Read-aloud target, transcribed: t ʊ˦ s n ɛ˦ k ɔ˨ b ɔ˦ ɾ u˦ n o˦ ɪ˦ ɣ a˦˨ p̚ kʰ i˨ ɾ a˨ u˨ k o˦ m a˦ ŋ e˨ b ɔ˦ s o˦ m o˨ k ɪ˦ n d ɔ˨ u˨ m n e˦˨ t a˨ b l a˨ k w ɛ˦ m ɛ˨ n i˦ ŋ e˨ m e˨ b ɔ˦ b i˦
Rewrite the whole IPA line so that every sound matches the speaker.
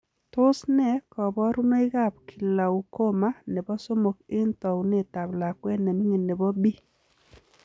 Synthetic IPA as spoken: t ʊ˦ s n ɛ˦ k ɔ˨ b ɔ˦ ɾ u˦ n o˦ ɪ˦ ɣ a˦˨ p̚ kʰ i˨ l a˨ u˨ k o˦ m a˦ n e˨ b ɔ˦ s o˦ m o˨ k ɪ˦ n t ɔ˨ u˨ n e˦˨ t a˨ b l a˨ k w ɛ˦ n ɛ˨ n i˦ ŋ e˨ n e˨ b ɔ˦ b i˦